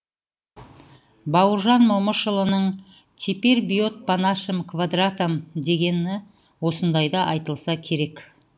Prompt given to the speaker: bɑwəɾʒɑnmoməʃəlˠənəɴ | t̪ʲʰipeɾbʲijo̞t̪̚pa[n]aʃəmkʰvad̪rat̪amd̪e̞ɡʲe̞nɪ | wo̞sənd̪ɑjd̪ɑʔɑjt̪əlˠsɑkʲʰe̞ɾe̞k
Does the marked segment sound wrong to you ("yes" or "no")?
no